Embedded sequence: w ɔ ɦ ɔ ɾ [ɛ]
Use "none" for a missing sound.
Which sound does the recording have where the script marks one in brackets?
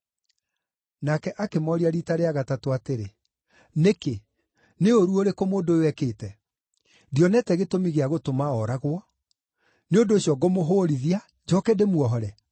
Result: ɛ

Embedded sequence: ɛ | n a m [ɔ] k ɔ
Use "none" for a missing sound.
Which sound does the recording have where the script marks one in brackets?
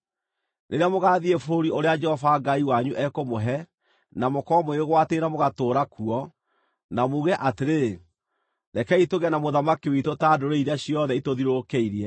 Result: o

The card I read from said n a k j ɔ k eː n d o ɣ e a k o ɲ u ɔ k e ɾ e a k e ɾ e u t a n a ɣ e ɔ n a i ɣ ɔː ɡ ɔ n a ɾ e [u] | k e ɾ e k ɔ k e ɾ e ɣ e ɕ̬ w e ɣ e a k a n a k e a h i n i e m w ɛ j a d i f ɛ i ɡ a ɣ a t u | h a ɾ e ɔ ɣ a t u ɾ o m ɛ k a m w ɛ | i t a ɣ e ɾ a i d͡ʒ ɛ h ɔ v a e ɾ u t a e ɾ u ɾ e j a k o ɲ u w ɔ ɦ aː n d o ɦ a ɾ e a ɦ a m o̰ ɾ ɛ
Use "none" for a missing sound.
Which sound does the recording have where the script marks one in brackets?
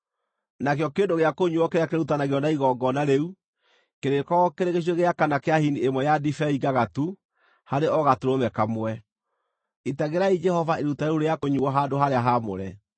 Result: u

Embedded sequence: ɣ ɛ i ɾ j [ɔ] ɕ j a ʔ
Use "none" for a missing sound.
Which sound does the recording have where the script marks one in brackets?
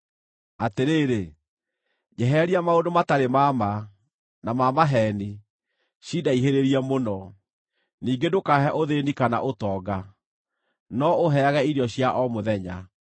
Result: ɔ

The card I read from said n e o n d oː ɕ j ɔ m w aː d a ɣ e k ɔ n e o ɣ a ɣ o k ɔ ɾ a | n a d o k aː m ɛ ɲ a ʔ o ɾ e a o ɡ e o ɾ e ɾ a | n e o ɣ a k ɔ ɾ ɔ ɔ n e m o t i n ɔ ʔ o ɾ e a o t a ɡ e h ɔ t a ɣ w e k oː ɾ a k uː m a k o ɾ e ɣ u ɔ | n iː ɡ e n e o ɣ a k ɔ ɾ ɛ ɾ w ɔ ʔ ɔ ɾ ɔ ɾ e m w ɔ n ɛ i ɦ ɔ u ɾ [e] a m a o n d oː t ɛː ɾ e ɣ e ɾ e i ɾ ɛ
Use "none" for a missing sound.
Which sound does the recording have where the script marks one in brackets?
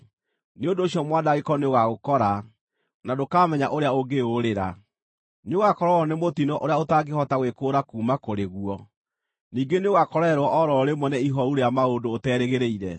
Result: e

